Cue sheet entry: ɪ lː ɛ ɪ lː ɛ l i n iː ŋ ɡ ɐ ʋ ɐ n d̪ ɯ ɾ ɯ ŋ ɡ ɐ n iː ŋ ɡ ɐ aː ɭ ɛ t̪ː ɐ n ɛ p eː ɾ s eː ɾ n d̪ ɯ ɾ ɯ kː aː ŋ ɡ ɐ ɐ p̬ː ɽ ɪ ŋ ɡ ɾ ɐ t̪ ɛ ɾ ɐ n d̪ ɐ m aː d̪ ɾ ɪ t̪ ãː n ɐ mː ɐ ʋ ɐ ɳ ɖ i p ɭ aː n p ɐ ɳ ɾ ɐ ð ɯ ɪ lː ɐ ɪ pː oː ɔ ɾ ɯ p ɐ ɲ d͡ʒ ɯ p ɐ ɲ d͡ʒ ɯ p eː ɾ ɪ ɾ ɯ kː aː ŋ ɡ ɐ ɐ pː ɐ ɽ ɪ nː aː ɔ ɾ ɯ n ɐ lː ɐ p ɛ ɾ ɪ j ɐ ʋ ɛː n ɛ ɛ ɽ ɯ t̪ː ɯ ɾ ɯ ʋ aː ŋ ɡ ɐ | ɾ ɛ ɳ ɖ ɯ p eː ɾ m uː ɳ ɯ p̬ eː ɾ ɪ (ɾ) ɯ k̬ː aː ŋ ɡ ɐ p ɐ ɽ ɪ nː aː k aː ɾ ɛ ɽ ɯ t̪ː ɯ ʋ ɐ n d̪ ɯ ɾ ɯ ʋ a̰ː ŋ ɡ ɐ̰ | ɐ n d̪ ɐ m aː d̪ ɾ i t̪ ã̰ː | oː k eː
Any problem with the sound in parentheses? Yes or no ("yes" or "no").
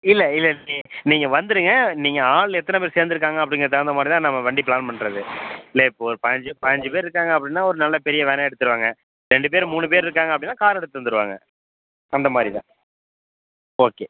no